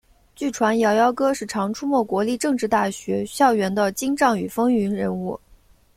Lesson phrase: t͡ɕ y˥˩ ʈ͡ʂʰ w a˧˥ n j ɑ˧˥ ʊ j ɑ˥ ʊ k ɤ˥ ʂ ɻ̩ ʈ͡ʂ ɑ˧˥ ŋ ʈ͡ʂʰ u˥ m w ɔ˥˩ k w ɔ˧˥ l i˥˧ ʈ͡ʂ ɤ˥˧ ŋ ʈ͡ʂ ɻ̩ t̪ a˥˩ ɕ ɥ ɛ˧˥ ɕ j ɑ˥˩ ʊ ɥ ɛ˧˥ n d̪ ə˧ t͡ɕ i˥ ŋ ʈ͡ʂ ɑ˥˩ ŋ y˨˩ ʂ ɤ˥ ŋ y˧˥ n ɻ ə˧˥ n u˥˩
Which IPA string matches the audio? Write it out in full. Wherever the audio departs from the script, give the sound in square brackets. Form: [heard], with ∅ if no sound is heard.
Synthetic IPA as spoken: t͡ɕ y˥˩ ʈ͡ʂʰ w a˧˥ n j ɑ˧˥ ʊ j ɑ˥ ʊ k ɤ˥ ʂ ɻ̩ [ʈ͡ʂʰ] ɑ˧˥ ŋ ʈ͡ʂʰ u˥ m w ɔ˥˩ k w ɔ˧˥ l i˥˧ ʈ͡ʂ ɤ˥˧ ŋ ʈ͡ʂ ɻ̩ t̪ a˥˩ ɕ ɥ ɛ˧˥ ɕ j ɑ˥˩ ʊ ɥ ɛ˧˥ n d̪ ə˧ t͡ɕ i˥ ŋ ʈ͡ʂ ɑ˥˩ ŋ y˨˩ [f] ɤ˥ ŋ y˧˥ n ɻ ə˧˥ n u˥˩